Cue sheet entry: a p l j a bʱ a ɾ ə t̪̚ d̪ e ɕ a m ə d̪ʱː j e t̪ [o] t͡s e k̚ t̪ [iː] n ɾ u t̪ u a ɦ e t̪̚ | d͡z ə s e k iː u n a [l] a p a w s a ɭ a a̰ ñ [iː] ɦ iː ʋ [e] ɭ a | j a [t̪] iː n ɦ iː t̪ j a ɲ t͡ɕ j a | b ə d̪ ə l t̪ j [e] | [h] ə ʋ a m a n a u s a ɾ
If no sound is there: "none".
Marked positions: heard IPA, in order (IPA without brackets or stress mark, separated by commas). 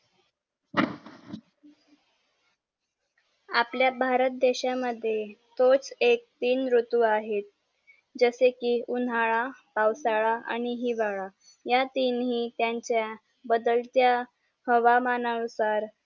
o, iː, ɭ, i, a, t̪, a, h